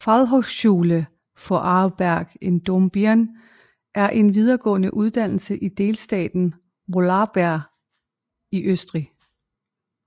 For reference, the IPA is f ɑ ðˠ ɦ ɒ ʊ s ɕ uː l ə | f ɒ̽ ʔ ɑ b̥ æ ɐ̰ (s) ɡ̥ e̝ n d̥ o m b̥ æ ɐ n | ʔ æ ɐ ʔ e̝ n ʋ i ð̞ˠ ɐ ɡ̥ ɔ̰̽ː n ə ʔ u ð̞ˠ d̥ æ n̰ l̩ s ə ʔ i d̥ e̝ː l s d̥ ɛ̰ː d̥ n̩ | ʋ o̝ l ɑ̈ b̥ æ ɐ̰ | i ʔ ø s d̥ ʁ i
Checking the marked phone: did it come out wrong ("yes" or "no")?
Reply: yes